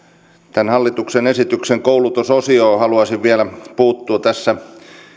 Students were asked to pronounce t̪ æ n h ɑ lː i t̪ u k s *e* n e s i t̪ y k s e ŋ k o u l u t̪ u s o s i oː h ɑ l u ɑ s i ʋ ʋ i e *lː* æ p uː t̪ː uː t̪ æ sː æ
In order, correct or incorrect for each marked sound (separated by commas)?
correct, incorrect